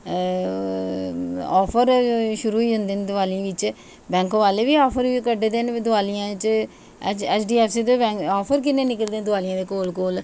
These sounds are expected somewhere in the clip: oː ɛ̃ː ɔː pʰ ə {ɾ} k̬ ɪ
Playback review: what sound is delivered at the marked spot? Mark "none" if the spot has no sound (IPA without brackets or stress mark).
ɾ